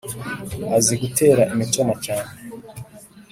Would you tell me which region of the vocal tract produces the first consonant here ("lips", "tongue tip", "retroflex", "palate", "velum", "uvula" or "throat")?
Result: tongue tip